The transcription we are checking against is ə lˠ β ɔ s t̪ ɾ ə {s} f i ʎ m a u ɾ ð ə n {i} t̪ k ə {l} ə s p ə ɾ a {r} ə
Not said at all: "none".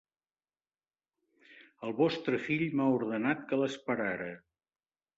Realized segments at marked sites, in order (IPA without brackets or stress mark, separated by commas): none, a, l, ɾ